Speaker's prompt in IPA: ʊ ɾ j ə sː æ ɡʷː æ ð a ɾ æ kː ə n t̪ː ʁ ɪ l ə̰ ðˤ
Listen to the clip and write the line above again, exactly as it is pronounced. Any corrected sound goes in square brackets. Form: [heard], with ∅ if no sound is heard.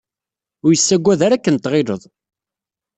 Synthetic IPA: ʊ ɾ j ə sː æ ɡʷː æ ð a ɾ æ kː ə n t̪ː ʁ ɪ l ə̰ ðˤ